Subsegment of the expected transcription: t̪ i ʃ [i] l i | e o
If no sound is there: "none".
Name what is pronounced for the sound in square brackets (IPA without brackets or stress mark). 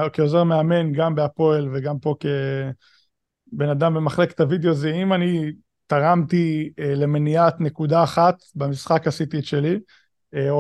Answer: e